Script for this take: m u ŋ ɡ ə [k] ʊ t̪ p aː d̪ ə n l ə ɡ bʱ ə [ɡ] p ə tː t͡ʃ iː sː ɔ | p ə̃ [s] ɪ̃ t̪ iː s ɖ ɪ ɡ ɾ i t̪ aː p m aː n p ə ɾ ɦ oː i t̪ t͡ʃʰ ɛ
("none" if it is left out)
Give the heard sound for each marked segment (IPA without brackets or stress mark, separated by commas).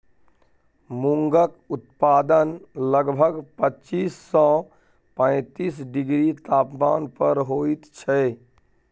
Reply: k, ɡ, none